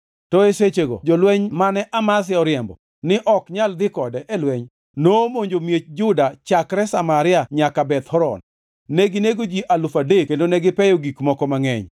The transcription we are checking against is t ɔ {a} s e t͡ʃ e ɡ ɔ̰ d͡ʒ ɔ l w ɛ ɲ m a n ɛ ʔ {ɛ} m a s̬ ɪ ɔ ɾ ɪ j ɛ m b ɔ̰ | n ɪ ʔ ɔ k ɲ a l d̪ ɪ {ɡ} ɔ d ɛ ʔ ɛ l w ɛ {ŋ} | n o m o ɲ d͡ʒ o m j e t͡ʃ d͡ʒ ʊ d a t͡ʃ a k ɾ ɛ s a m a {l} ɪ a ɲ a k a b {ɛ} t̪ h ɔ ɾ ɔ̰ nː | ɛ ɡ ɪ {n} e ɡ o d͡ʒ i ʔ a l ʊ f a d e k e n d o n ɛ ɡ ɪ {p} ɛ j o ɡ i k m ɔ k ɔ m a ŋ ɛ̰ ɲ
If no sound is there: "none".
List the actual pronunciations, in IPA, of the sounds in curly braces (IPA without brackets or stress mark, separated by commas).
e, a, k, ɲ, ɾ, ɛ, n, p